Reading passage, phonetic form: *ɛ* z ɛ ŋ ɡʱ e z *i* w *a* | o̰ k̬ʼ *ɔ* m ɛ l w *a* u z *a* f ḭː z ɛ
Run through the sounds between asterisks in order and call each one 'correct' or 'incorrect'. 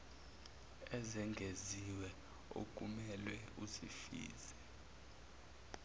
correct, correct, incorrect: ɛ, incorrect: u, incorrect: ɛ, incorrect: i

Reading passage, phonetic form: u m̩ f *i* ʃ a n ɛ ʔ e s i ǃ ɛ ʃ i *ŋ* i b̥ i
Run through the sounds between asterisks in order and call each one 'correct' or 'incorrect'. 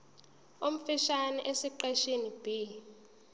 correct, incorrect: n

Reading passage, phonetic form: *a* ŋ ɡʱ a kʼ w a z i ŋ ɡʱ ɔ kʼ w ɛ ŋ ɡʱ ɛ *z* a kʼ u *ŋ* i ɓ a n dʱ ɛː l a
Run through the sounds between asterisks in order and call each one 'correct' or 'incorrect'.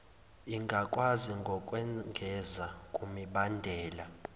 incorrect: i, correct, incorrect: m

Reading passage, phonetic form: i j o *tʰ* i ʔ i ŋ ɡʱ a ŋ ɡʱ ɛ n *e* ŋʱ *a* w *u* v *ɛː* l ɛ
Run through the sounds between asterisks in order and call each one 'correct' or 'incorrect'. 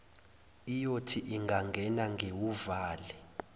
correct, incorrect: a, incorrect: e, correct, incorrect: aː

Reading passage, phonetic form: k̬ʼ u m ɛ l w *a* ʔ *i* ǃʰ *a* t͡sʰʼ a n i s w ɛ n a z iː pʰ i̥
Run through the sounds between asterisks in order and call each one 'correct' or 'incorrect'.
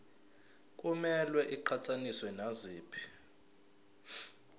incorrect: ɛ, correct, correct

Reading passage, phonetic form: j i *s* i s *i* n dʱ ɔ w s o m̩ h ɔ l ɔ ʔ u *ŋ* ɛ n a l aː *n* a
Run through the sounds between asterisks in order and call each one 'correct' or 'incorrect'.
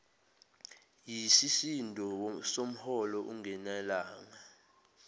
correct, correct, correct, incorrect: ŋ

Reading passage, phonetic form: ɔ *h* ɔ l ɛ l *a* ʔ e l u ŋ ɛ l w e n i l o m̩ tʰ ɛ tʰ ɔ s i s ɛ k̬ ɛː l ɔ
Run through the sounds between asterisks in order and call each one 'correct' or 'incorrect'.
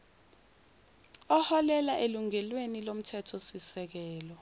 correct, correct

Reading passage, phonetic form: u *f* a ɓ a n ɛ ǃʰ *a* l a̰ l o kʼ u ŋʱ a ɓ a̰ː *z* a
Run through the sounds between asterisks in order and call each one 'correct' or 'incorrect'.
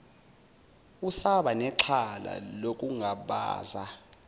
incorrect: s, correct, correct

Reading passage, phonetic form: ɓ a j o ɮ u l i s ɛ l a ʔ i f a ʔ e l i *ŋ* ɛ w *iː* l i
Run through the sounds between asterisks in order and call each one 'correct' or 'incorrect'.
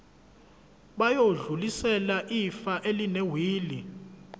incorrect: n, correct

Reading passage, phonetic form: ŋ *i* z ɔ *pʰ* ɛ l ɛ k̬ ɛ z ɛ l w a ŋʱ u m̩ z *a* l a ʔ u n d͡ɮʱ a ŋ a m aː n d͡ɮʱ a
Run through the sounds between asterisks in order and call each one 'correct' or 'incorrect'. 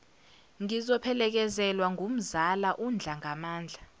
correct, correct, correct

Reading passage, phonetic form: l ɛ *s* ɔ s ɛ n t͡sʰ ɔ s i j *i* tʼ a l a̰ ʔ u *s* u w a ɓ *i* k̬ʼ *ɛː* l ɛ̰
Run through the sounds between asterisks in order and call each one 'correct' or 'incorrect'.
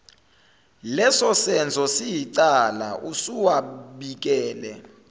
correct, correct, correct, correct, correct

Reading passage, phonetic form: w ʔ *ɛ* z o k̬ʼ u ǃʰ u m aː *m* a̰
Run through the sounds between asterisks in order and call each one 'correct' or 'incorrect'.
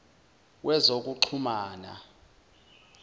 correct, incorrect: n

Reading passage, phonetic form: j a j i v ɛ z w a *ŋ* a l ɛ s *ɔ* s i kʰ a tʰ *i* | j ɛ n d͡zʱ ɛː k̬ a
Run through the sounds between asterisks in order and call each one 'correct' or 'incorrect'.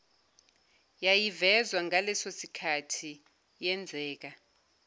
correct, incorrect: o, correct

